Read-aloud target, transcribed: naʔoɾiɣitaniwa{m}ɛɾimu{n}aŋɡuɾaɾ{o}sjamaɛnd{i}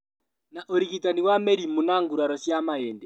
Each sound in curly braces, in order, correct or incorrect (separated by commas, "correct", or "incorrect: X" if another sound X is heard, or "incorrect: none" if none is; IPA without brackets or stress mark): correct, correct, incorrect: ɔ, incorrect: ɛ